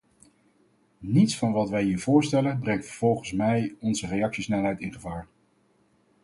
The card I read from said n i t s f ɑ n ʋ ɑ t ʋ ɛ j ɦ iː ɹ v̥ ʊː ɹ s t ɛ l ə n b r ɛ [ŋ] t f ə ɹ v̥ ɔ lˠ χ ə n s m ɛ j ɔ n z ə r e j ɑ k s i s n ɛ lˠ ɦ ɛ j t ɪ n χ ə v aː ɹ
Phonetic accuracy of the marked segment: correct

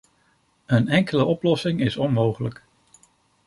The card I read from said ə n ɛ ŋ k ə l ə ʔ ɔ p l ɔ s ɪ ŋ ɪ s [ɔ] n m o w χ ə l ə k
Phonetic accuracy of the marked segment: correct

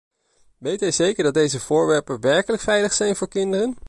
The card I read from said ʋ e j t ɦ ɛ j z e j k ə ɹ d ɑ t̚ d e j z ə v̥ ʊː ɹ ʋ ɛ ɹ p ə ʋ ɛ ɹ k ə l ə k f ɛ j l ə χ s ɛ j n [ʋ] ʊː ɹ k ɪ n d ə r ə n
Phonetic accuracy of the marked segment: incorrect: v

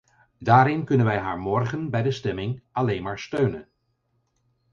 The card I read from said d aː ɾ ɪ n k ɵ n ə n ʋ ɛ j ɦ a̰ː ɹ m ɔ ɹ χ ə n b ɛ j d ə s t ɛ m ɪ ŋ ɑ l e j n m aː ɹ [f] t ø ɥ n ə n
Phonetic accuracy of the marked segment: incorrect: s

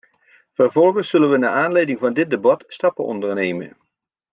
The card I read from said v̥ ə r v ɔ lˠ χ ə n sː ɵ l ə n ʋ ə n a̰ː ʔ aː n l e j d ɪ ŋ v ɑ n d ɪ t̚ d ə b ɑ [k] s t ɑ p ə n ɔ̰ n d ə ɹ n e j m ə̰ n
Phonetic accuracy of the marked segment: incorrect: t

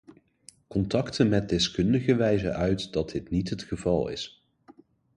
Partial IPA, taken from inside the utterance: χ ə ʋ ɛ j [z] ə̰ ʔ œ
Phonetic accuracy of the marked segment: correct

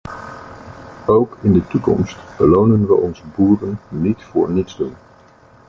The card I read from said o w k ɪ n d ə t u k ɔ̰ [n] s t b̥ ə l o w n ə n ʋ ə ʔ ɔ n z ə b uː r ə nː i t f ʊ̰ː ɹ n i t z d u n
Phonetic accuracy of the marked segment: incorrect: m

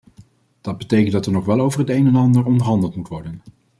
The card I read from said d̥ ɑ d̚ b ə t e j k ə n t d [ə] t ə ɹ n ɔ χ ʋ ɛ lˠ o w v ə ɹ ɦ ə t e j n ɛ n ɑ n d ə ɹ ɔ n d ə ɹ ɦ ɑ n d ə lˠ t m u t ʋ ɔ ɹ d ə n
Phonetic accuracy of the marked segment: incorrect: ɑ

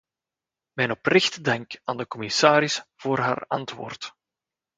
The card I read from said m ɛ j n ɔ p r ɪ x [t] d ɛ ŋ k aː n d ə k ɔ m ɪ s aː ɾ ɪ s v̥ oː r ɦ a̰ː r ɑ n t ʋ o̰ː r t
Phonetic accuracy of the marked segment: correct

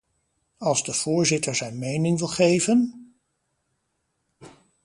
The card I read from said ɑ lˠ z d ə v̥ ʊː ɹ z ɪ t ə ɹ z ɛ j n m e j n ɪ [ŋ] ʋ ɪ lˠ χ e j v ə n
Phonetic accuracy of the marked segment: correct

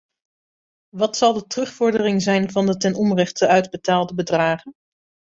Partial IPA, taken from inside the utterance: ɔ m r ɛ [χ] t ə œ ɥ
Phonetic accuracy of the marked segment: correct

